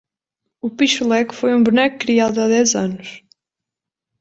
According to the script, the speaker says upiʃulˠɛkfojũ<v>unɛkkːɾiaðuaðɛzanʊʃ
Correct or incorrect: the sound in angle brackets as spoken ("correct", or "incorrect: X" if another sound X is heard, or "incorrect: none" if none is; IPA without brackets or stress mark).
incorrect: b